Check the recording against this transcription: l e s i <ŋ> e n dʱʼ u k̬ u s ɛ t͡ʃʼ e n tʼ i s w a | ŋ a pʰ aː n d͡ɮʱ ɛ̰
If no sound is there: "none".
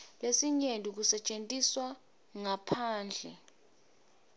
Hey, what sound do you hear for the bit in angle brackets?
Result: ɲ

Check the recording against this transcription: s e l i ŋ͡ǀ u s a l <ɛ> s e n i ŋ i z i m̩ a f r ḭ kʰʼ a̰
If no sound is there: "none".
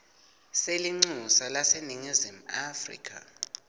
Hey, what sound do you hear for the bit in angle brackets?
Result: a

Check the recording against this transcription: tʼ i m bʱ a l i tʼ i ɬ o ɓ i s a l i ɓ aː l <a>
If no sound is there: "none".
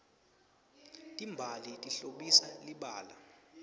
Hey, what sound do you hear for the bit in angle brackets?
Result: a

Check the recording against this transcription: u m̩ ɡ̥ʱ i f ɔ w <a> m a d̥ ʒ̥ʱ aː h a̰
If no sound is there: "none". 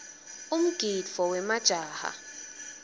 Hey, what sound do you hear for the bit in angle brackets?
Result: ɛ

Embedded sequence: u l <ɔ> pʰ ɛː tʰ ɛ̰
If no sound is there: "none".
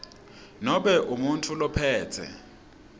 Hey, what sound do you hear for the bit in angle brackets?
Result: ɔ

